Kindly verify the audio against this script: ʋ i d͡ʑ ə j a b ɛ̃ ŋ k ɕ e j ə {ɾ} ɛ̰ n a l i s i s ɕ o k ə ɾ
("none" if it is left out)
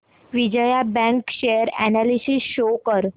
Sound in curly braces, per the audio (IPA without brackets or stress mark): ɾ